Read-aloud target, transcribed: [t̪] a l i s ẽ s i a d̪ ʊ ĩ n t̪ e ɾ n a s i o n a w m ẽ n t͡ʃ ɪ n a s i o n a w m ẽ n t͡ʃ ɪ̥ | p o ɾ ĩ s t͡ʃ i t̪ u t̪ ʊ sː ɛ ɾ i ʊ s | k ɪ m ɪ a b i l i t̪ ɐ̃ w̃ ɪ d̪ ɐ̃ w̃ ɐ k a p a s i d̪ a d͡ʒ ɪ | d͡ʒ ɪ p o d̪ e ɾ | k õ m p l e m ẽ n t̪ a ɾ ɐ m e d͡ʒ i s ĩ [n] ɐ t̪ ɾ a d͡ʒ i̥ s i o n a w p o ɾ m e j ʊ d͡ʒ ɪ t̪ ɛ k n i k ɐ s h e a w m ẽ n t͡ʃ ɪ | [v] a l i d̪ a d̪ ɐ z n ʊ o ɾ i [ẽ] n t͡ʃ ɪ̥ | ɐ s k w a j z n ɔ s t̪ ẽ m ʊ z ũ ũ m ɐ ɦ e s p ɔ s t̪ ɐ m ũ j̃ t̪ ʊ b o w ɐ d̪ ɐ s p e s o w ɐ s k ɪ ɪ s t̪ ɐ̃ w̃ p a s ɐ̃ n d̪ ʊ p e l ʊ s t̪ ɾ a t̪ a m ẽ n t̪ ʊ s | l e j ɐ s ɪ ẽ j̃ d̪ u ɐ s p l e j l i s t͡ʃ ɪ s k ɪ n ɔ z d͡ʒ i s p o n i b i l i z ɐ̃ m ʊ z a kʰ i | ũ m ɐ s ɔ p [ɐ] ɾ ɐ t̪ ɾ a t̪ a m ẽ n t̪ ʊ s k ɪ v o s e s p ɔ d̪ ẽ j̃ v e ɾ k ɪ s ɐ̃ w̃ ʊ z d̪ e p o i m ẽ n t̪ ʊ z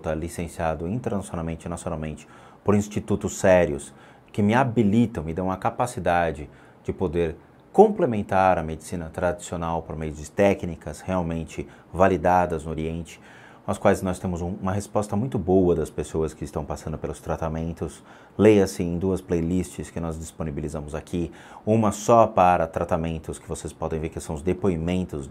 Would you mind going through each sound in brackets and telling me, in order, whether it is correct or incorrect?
correct, correct, correct, correct, incorrect

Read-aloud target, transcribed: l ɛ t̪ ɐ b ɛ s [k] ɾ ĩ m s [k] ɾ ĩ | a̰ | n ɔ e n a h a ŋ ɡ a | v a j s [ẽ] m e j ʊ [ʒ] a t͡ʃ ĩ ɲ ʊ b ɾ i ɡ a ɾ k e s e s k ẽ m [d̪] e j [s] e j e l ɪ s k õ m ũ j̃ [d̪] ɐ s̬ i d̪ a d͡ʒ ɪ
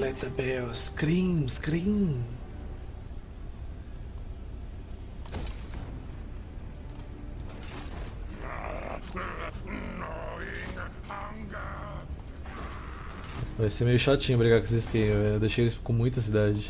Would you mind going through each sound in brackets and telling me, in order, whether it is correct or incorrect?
correct, correct, incorrect, incorrect, correct, incorrect, incorrect

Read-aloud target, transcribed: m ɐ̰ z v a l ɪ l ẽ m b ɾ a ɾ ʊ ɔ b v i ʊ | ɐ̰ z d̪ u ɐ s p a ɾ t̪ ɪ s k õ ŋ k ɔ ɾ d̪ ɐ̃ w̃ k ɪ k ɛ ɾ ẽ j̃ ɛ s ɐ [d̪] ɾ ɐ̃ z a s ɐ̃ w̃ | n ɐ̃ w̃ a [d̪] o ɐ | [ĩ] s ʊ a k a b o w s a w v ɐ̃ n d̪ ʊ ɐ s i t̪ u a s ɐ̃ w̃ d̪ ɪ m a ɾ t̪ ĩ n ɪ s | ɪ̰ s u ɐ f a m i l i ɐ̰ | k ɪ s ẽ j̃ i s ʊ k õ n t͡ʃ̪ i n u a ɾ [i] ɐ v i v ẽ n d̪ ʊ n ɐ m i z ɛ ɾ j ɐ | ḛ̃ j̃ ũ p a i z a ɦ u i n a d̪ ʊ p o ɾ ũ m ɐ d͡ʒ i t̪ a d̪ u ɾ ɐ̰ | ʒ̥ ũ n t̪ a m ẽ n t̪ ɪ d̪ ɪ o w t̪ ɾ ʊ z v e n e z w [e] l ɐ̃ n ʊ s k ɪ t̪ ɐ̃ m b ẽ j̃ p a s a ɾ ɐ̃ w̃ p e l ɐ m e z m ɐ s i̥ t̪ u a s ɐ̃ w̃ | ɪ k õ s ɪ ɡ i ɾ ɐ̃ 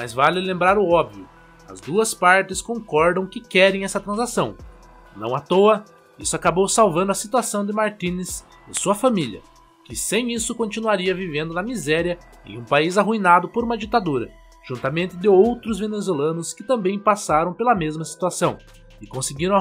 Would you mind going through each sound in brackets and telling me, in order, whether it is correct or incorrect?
incorrect, incorrect, incorrect, correct, correct

